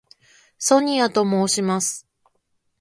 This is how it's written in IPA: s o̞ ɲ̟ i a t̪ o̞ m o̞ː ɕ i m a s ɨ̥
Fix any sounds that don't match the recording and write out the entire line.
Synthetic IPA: s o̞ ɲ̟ i a t̪ o̞ m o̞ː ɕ i m a s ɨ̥